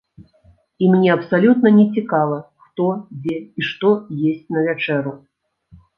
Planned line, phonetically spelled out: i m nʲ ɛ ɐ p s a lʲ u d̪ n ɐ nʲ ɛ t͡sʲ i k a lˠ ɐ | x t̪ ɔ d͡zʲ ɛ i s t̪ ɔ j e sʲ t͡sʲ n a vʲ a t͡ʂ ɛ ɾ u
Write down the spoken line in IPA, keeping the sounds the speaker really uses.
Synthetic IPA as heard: i m nʲ ɛ ɐ p s a lʲ u t̪ n ɐ nʲ ɛ t͡sʲ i k a lˠ ɐ | x t̪ ɔ d͡zʲ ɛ i ʂ t̪ ɔ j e sʲ t͡sʲ n ɐ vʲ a t͡ʂ ɛ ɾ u